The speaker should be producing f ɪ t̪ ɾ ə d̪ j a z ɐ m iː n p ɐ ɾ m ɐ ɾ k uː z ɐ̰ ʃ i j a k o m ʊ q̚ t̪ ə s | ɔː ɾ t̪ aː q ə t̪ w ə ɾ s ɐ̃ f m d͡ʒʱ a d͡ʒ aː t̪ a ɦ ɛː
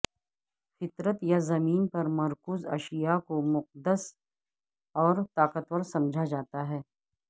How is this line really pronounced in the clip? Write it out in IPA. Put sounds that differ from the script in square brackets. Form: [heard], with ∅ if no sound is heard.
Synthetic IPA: f ɪ t̪ ɾ ə [t̪] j a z ɐ m iː n p ɐ ɾ m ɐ ɾ k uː z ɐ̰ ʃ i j a k o m ʊ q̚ [d̪] ə s | ɔː ɾ t̪ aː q ə t̪ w ə ɾ s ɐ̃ [∅] m d͡ʒʱ a d͡ʒ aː t̪ a ɦ ɛː